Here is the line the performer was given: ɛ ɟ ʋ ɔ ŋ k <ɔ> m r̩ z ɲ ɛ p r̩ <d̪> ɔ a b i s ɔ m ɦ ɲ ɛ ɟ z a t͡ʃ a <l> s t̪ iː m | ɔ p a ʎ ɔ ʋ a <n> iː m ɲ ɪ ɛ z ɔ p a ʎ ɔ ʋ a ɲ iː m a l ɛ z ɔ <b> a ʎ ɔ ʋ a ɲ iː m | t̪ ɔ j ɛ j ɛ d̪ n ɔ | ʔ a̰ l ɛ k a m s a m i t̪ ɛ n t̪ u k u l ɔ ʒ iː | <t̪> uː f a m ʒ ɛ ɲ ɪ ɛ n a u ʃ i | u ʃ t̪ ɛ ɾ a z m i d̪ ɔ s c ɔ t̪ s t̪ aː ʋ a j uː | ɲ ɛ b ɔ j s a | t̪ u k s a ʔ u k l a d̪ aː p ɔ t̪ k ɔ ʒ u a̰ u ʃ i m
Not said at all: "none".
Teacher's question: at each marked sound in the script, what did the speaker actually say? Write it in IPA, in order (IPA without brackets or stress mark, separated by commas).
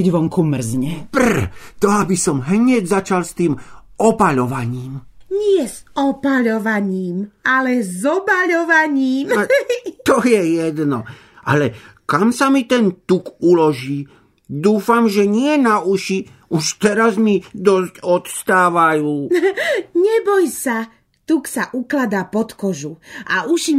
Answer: u, t̪, l, ɲ, b, d̪